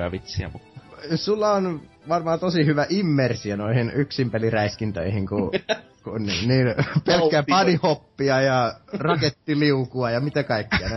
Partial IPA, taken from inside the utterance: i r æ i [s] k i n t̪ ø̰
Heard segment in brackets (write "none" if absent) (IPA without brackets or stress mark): s